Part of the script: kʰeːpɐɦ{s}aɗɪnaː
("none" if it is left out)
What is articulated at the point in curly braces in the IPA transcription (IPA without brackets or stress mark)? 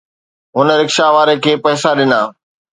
s